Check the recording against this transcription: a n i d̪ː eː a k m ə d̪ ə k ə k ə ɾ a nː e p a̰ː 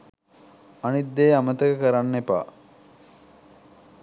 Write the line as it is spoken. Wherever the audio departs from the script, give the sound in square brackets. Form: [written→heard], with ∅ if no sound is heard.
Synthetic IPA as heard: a n i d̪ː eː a [k→∅] m ə [d̪→t̪] ə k ə k ə ɾ a nː e p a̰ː